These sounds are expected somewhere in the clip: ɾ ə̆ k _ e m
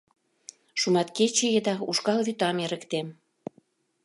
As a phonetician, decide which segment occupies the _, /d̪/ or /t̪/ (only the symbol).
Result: t̪